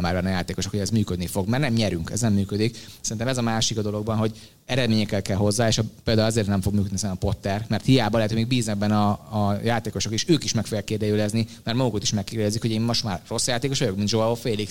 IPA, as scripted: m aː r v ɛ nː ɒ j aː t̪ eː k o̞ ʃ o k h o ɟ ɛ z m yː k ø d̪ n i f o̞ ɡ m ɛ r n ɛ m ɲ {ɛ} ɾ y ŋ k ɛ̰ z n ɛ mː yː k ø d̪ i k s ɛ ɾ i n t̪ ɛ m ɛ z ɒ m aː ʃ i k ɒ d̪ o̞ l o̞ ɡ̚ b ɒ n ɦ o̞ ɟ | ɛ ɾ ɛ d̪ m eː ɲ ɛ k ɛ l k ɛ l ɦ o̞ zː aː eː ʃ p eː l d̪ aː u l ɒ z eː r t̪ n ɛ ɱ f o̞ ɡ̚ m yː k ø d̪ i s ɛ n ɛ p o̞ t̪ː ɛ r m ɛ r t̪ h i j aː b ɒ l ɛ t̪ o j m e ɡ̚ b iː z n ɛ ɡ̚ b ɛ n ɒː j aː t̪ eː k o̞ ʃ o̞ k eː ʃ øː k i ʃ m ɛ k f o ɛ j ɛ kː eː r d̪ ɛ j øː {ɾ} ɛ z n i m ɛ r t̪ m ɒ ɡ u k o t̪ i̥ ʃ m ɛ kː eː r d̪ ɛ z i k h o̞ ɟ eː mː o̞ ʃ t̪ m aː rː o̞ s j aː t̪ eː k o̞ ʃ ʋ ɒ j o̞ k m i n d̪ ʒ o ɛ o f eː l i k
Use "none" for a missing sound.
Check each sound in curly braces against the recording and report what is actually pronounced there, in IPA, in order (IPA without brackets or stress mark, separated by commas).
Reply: ɛ, l